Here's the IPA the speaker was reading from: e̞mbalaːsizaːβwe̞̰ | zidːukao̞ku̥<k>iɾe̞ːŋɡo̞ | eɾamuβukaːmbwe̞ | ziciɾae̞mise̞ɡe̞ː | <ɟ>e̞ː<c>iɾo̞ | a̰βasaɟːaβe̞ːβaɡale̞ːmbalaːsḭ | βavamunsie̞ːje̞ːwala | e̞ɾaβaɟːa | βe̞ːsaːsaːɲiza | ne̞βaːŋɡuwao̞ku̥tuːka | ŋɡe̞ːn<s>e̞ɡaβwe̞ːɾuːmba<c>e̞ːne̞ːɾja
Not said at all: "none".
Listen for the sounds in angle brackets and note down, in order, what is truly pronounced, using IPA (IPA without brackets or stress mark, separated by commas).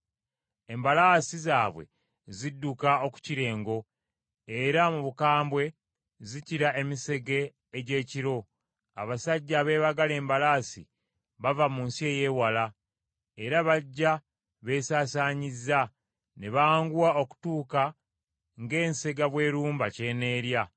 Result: c, ɟ, c, s, c